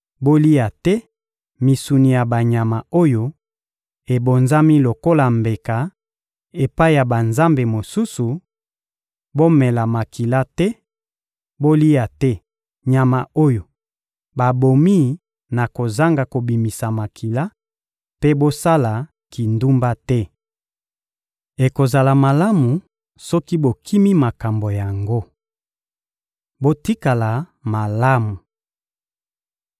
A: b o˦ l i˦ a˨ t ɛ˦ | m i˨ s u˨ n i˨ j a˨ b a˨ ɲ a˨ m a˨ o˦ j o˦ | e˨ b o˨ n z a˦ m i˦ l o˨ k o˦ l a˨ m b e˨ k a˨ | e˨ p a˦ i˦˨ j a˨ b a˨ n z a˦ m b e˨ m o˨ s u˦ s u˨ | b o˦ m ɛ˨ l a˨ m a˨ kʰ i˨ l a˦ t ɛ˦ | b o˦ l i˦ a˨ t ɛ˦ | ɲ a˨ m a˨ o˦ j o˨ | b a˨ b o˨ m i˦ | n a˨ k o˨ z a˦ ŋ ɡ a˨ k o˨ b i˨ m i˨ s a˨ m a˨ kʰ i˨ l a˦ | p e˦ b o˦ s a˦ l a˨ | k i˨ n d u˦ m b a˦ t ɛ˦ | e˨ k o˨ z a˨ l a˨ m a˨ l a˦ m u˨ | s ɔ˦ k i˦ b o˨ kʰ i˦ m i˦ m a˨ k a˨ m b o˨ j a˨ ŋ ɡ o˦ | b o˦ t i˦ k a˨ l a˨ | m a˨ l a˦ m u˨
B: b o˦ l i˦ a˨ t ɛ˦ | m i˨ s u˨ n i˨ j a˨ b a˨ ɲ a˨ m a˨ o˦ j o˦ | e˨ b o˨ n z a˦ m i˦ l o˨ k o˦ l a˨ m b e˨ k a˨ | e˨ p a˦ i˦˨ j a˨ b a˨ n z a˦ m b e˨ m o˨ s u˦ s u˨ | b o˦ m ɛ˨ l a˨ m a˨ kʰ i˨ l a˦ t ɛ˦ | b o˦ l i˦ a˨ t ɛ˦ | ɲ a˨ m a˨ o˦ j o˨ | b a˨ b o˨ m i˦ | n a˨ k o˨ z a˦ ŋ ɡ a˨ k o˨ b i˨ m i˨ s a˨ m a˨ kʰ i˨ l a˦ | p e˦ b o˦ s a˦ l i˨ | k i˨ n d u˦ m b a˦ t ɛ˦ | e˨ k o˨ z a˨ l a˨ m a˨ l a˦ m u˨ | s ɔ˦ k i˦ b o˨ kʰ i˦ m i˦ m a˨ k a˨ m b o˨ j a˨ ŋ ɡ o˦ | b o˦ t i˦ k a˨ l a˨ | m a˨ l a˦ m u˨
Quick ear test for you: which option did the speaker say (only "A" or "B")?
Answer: A